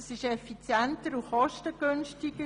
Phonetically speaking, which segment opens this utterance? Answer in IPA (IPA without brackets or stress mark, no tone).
s